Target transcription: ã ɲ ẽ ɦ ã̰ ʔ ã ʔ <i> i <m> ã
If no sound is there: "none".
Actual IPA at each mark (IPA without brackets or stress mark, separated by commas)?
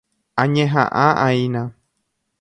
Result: a, n